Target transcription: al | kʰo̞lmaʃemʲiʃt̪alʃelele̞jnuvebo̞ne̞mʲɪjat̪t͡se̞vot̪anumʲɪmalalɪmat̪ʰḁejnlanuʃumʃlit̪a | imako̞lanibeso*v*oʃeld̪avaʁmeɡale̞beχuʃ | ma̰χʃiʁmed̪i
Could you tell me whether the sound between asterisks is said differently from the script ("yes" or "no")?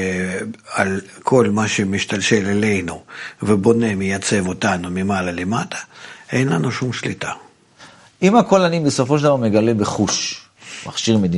yes